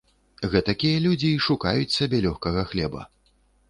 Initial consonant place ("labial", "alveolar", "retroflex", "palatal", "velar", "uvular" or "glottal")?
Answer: velar